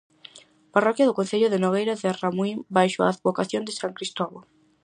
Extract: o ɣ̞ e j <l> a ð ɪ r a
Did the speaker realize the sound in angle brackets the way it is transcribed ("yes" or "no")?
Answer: no